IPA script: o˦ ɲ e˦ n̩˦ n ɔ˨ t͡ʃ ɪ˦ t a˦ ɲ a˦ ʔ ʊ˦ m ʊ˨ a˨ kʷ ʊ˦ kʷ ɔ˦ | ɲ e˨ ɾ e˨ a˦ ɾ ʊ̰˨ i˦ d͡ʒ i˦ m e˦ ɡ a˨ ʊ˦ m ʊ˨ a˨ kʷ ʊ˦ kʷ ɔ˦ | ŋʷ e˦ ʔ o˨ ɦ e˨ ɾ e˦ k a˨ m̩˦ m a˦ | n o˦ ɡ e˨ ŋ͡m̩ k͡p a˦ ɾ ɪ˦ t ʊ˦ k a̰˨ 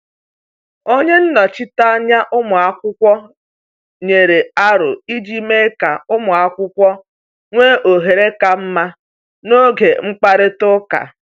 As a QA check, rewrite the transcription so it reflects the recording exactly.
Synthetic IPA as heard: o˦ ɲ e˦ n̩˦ n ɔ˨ t͡ʃ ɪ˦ t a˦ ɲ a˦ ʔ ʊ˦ m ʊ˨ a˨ kʷ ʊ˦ kʷ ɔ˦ | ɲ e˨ ɾ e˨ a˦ ɾ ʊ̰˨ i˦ d͡ʒ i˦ m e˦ k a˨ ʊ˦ m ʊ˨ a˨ kʷ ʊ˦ kʷ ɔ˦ | ŋʷ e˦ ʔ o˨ ɦ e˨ ɾ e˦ k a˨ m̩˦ m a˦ | n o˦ ɡ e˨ ŋ͡m̩ k͡p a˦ ɾ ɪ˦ t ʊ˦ k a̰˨